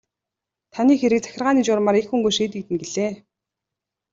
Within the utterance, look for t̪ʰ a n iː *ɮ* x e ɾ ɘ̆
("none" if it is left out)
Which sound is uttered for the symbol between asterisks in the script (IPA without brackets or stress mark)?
none